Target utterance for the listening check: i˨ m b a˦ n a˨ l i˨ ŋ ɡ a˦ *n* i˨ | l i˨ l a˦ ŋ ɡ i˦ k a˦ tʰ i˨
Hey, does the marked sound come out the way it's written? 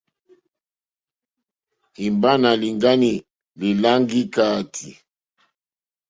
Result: yes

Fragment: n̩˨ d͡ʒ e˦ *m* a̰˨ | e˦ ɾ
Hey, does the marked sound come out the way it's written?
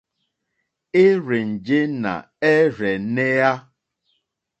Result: no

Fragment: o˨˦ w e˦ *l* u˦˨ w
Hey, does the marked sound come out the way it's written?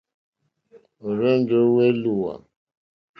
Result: yes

